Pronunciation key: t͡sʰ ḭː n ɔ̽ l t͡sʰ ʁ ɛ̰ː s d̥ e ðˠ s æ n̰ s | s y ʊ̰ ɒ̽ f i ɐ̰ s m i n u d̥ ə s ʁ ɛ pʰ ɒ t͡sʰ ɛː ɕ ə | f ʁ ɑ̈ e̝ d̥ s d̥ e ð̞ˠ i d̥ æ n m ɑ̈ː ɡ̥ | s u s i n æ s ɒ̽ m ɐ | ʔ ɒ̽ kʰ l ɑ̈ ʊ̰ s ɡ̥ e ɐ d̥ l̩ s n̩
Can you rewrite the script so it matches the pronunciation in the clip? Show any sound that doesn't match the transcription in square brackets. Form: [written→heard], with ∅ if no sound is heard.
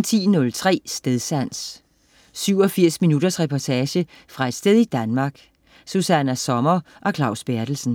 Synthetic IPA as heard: t͡sʰ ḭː n ɔ̽ l t͡sʰ ʁ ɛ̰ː s d̥ e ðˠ s æ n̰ s | s y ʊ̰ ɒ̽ f i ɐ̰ s m i n u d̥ [ə→ɐ] s ʁ ɛ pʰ ɒ t͡sʰ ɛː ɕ ə | f ʁ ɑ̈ e̝ d̥ s d̥ e ð̞ˠ i d̥ æ n m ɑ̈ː ɡ̥ | s u s [i→æ] n æ s ɒ̽ m ɐ | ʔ ɒ̽ kʰ l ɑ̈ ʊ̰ s [ɡ̥→b̥] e ɐ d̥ l̩ s n̩